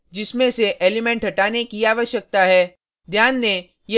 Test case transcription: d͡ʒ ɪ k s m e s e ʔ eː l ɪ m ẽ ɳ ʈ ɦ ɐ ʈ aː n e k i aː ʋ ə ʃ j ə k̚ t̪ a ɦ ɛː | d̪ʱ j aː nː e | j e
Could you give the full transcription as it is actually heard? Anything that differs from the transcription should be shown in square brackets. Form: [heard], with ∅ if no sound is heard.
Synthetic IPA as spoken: d͡ʒ ɪ [∅] s m [ẽ] s e ʔ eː l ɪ m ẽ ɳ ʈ ɦ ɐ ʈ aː n e k i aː ʋ ə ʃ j ə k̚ t̪ a ɦ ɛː | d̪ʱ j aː nː e | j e